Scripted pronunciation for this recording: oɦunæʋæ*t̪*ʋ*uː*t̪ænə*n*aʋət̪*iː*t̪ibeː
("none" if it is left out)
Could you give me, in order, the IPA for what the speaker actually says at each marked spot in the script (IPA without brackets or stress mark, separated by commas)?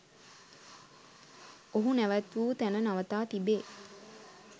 t̪, uː, n, aː